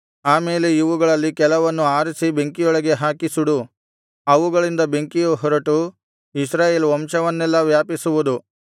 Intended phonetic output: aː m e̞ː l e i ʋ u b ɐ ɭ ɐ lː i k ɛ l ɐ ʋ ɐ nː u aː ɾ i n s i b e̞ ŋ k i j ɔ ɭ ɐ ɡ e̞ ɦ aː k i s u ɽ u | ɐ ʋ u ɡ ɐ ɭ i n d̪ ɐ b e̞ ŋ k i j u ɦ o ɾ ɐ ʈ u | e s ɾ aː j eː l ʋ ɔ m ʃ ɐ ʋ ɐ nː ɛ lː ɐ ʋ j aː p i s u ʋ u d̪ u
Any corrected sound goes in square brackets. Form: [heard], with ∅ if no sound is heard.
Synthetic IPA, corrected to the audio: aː m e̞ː l e i ʋ u [ɡ] ɐ ɭ ɐ lː i k ɛ l ɐ ʋ ɐ nː u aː ɾ i [∅] s i b e̞ ŋ k i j ɔ ɭ ɐ ɡ e̞ ɦ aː k i s u ɽ u | ɐ ʋ u ɡ ɐ ɭ i n d̪ ɐ b e̞ ŋ k i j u ɦ [ɔ] ɾ ɐ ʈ u | [i] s ɾ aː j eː l ʋ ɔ m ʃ ɐ ʋ ɐ nː ɛ lː ɐ ʋ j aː p i s u ʋ u d̪ u